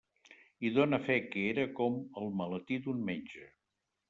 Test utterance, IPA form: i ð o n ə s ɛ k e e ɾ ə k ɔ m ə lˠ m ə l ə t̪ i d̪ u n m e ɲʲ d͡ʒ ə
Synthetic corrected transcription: i ð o n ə f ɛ k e e ɾ ə k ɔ m ə lˠ m ə l ə t̪ i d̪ u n m e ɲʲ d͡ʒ ə